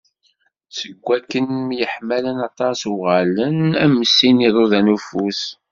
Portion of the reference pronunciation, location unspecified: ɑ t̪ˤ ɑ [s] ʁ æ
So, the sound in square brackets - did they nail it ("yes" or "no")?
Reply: yes